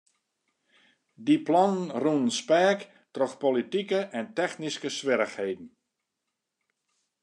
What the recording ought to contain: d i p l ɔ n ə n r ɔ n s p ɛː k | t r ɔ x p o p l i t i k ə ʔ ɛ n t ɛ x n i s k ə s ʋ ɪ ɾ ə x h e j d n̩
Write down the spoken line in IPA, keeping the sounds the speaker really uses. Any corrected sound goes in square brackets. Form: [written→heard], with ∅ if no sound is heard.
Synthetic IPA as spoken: d i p l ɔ n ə n r [ɔ→u] n s p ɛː k | t r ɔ x p o [p→∅] l i t i k ə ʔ ɛ n t ɛ x n i s k ə s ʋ ɪ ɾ ə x h e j d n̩

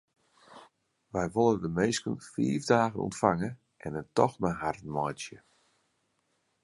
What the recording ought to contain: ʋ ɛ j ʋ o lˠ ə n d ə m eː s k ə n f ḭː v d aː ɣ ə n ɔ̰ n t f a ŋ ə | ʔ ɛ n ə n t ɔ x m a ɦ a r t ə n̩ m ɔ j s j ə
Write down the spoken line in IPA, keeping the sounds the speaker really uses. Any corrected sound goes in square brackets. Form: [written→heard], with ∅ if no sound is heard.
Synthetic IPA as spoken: ʋ ɛ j ʋ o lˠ ə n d ə m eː s k ə n f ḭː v d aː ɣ ə n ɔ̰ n t f a ŋ ə | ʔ ɛ n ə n t ɔ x m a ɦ a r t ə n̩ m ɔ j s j ə

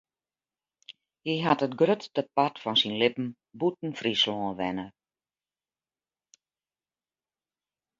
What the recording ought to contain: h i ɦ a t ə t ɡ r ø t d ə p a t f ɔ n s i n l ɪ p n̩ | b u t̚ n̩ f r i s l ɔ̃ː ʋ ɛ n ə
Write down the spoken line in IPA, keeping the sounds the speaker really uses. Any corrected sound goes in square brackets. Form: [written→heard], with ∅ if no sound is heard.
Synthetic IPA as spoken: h i ɦ a t ə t ɡ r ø t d ə p a t f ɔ n s i n l ɪ p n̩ | b u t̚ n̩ f r i s l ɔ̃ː ʋ ɛ n ə

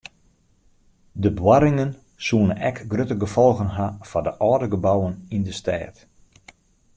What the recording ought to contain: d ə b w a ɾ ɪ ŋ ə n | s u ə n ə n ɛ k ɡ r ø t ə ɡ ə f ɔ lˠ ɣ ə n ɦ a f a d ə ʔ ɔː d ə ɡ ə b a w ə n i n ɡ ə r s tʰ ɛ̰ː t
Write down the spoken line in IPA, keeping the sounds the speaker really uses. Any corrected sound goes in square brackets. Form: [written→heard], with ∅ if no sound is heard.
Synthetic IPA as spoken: d ə b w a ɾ ɪ ŋ ə n | s u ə n ə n ɛ k ɡ r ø t ə ɡ ə f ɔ lˠ ɣ ə n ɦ a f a d ə ʔ ɔː d ə ɡ ə b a w ə n i n [ɡ→d] ə [r→∅] s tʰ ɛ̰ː t

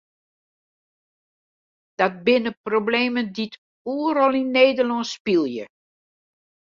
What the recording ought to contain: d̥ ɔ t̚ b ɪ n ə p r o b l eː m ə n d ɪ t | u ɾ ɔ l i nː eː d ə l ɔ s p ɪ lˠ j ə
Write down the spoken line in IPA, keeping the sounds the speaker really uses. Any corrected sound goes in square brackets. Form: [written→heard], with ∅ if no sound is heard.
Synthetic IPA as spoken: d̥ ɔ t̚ b ɪ n ə p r o b l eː m ə n d [ɪ→i] t | u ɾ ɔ l i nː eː d ə l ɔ s p [ɪ→i] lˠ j ə

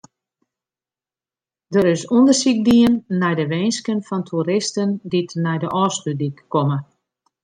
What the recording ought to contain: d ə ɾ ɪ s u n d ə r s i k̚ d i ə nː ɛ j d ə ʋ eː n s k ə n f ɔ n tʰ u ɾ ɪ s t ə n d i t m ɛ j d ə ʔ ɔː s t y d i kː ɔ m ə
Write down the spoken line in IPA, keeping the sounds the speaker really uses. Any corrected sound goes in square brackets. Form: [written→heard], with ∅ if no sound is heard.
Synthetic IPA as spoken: d ə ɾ ɪ s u n d ə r s i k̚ d i ə nː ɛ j d ə ʋ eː n s k ə n f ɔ n tʰ u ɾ ɪ s t ə n d i t [m→n] ɛ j d ə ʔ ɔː s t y d i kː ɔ m ə

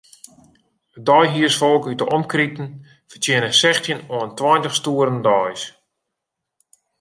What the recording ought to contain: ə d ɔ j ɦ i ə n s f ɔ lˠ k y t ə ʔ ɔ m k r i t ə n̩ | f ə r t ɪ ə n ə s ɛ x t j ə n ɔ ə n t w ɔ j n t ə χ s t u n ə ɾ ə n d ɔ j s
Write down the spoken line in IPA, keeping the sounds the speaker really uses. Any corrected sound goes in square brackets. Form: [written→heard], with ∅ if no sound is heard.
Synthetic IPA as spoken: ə d ɔ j ɦ i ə [n→∅] s f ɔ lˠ k y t ə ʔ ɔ m k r i t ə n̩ | f ə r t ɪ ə n ə s ɛ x t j ə n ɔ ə n t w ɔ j n t ə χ s t u [n→∅] ə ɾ ə n d ɔ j s

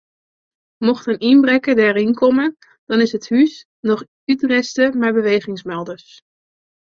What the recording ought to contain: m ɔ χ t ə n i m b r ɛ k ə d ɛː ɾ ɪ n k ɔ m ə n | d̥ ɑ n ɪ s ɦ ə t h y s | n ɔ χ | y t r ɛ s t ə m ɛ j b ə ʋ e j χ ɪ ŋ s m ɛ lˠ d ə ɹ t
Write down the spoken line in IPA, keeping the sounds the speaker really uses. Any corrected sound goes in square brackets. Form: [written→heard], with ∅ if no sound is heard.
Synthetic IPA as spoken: m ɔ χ t ə n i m b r ɛ k ə d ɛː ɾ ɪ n k ɔ m ə n | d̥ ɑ n ɪ s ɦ ə t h y s | n ɔ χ | y t r ɛ s t ə m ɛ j b ə ʋ e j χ ɪ ŋ s m ɛ lˠ d ə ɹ [t→s]

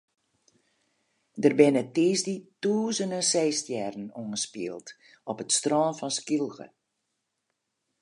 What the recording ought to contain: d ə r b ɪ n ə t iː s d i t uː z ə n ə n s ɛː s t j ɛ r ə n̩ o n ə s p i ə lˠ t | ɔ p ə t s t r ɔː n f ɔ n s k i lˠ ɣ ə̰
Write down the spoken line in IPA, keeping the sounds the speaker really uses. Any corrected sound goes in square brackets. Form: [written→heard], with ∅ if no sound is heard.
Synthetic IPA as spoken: d ə r b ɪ n ə t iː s d i t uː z ə n ə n s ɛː s t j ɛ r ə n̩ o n ə s p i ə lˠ t | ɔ p ə t s t r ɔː n f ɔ n s k i lˠ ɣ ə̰

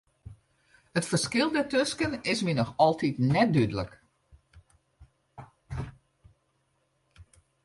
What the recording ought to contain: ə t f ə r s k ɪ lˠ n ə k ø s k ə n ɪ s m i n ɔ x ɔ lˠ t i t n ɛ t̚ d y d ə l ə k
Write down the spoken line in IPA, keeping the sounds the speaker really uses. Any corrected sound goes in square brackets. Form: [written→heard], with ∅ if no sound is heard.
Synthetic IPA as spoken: ə t f ə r s k ɪ lˠ [n→d] ə [k→t] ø s k ə n ɪ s m i n ɔ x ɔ lˠ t i t n ɛ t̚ d y d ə l ə k

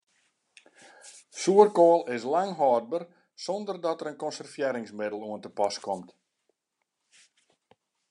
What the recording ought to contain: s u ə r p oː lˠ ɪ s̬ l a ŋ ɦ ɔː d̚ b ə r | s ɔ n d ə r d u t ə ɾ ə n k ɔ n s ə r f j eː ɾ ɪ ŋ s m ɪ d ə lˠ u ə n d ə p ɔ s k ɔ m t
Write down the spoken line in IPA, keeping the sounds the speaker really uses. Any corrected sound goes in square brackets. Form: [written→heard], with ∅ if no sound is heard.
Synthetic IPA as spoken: s u ə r [p→k] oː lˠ ɪ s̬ l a ŋ ɦ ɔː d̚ b ə r | s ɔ n d ə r d [u→ɔ] t ə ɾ ə n k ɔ n s ə r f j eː ɾ ɪ ŋ s m ɪ d ə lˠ u ə n [d→t] ə p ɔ s k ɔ m t

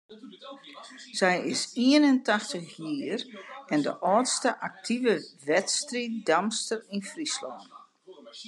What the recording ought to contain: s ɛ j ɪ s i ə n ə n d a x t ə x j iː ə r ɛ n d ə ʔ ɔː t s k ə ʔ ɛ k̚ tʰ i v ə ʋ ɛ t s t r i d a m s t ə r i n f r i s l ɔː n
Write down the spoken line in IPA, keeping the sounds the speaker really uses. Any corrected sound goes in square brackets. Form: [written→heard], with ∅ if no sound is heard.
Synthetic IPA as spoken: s ɛ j ɪ s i ə n ə n [d→t] a x t ə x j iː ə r ɛ n d ə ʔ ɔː t s [k→t] ə ʔ [ɛ→a] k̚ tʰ i v ə ʋ ɛ t s t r i d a m s t ə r i n f r i s l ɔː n

